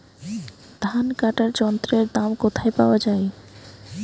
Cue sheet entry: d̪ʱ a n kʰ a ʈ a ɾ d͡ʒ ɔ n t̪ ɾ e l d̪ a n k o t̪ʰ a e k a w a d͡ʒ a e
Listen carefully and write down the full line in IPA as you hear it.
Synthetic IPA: d̪ʱ a n k a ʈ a ɾ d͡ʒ ɔ n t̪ ɾ e ɾ d̪ a m k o t̪ʰ a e p a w a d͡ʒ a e